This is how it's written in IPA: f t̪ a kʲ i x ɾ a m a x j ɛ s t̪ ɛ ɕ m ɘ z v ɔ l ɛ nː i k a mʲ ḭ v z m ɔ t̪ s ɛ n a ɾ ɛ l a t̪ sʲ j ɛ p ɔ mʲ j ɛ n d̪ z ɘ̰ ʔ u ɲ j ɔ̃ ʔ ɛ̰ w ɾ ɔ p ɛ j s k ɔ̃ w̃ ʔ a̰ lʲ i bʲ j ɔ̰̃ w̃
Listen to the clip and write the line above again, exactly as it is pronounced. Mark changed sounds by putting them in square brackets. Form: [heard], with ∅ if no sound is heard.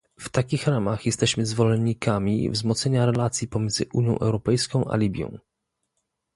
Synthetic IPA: f t̪ a kʲ i x ɾ a m a x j ɛ s t̪ ɛ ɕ m ɘ z v ɔ l ɛ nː i k a mʲ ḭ v z m ɔ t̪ s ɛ [ɲ] a ɾ ɛ l a t̪ sʲ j [i] p ɔ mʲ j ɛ n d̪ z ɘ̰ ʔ u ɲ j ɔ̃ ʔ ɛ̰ w ɾ ɔ p ɛ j s k ɔ̃ w̃ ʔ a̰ lʲ i bʲ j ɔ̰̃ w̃